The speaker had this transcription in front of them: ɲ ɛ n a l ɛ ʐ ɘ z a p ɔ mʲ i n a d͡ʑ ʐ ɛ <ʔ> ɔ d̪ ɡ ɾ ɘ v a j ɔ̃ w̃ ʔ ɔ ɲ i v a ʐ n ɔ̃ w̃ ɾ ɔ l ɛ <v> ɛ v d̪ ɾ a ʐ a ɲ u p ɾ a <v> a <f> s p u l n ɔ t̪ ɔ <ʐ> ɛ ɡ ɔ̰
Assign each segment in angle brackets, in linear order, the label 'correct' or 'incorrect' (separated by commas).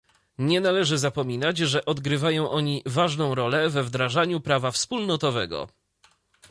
correct, correct, correct, correct, incorrect